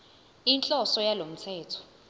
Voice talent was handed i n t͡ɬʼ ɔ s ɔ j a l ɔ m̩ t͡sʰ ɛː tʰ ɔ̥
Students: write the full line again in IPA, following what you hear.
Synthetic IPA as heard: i n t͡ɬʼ ɔ s ɔ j a l o m̩ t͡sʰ ɛː tʰ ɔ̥